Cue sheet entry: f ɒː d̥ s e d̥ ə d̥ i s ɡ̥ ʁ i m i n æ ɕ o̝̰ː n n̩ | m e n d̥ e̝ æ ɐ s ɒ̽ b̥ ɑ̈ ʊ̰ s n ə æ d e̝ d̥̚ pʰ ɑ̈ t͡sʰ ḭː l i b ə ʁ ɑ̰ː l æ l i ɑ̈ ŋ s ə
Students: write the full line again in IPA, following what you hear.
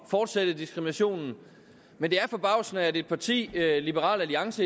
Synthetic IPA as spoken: f ɒː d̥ s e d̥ ə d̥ i s ɡ̥ ʁ i m i n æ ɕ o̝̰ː n n̩ | m e n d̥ e̝ æ ɐ f ɒ̽ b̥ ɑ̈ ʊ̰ s n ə æ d e̝ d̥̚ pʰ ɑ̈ t͡sʰ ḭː l i b ə ʁ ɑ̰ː l æ l i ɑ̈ ŋ s ə